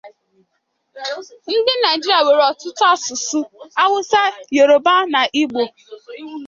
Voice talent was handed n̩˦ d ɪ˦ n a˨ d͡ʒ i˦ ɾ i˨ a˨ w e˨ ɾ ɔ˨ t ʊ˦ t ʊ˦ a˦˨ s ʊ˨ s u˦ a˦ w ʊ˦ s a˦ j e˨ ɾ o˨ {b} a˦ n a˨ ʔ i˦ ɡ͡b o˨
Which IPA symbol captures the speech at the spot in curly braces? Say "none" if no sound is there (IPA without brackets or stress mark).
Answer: b